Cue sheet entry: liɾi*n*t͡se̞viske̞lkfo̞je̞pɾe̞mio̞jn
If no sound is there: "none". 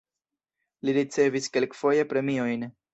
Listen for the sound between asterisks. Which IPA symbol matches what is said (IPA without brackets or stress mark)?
none